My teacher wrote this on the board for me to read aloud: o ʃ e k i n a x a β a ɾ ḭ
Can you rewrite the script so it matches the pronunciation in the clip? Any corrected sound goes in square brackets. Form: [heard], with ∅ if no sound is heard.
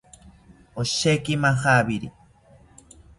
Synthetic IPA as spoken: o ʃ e k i [m] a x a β [i] ɾ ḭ